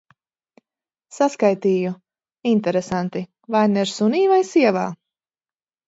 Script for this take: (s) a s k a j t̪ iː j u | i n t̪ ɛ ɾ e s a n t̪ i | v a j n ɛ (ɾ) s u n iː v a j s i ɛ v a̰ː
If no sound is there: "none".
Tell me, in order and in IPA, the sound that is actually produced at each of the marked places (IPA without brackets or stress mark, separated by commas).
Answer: s, ɾ